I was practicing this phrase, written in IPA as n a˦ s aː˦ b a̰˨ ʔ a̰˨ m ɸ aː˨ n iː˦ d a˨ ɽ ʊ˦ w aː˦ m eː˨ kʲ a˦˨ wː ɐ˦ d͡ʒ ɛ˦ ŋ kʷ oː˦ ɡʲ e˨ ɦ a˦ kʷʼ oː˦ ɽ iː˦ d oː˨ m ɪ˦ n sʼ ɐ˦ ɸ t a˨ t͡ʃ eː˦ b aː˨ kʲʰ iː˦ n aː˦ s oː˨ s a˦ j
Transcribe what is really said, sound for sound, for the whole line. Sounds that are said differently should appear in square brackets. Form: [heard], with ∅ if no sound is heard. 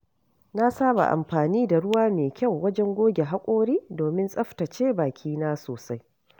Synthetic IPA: n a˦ s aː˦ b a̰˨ ʔ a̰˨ m ɸ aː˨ n iː˦ d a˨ ɽ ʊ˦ w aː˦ m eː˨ kʲ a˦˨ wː ɐ˦ d͡ʒ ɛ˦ ŋ [ɡʷ] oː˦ ɡʲ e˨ ɦ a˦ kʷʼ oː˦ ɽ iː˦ d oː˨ m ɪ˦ n sʼ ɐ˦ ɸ t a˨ t͡ʃ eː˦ b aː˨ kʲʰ iː˦ n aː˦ s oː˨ s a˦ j